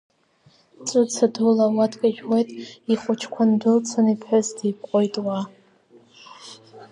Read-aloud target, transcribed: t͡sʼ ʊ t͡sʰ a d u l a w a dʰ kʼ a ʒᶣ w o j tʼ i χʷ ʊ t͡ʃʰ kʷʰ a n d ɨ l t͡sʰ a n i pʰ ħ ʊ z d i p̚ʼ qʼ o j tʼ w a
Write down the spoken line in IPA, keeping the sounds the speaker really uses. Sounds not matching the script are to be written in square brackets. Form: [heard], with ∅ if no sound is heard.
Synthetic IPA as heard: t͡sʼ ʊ t͡sʰ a d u l a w a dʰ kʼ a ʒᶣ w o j tʼ i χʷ ʊ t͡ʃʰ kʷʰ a n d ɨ l t͡sʰ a n i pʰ ħ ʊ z d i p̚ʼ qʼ o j tʼ w a